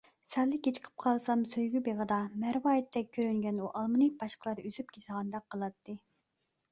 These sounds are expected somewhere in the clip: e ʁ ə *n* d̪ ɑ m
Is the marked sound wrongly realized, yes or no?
yes